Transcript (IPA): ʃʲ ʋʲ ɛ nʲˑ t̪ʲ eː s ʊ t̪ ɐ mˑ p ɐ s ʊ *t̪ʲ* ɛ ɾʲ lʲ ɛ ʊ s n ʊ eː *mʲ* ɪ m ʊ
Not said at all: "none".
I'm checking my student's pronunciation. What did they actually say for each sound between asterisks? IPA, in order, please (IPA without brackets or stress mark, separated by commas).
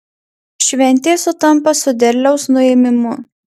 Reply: d̪ʲ, mʲ